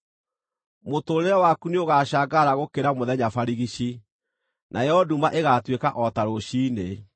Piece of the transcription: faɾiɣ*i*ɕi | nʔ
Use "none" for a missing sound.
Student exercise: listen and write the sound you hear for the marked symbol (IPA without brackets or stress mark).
i